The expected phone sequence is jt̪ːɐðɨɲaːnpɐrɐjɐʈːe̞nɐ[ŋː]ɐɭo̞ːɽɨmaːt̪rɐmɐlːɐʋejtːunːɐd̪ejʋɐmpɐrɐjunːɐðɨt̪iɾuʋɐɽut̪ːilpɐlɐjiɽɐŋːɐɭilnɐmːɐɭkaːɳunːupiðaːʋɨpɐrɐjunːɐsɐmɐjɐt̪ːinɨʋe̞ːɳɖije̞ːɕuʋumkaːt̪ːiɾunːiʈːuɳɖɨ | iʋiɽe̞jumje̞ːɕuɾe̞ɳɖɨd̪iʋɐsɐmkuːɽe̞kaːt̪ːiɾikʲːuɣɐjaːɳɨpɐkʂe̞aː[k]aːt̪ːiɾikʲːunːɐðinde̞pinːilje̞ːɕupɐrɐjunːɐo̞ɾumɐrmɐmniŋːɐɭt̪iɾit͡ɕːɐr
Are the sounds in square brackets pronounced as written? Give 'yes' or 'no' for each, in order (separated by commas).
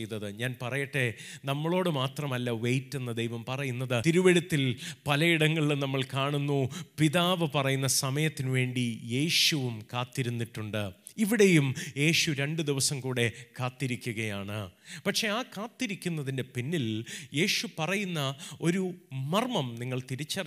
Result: no, yes